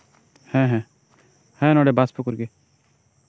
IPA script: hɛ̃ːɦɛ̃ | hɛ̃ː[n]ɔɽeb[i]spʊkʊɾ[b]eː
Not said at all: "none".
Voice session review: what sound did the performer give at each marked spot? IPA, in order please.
n, a, ɡ

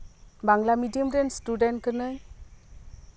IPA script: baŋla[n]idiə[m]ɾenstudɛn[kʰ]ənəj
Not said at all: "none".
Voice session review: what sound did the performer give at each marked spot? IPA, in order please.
m, m, k

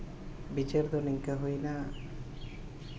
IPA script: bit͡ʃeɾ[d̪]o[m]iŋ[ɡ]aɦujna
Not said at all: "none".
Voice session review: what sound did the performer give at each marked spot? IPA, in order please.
d̪, n, k

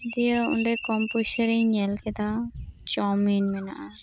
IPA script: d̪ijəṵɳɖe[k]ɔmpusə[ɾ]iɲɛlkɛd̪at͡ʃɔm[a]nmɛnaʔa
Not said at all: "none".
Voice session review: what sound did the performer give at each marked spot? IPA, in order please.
k, ɾ, i

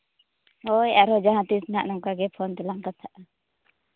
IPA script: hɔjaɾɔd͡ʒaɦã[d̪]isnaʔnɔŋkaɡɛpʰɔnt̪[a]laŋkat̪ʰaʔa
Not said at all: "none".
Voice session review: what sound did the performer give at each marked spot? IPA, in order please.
t̪, ɛ

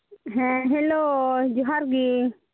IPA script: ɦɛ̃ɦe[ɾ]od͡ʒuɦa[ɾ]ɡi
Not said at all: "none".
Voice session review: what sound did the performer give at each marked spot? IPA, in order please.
l, ɾ

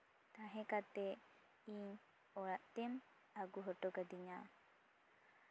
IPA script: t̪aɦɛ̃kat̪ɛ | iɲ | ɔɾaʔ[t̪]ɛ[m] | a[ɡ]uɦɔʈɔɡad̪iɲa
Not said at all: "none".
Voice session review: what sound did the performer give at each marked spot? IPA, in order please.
t̪, m, ɡ

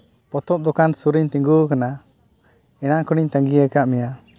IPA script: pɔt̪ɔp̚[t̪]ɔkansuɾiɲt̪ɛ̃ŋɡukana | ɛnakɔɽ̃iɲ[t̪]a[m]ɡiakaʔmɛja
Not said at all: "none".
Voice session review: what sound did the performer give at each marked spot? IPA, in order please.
d̪, t̪, ŋ

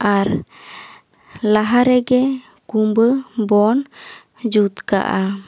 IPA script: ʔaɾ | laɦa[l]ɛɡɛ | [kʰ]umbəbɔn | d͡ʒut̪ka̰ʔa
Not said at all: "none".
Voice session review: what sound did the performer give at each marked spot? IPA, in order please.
ɾ, k

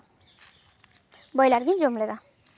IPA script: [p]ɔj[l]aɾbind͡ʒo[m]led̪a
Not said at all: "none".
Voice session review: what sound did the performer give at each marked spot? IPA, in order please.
b, l, m

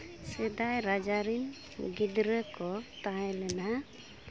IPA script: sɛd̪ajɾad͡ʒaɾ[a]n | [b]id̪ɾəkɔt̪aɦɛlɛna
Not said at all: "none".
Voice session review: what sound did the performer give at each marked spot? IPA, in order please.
i, ɡ

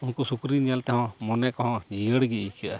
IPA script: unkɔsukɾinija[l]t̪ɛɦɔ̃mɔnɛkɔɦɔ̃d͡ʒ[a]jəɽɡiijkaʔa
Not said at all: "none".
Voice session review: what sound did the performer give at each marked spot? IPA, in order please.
l, i

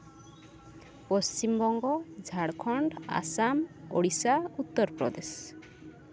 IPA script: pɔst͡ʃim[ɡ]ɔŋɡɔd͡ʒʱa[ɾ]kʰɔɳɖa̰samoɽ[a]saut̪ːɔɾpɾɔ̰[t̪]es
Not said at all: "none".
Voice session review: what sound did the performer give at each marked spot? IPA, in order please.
b, ɽ, i, d̪

